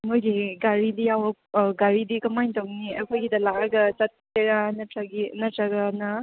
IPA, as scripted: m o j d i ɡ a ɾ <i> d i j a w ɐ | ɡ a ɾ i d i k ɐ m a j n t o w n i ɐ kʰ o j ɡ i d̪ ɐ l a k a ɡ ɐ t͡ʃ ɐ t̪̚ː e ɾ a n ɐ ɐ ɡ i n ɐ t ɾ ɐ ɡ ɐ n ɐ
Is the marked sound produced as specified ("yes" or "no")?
yes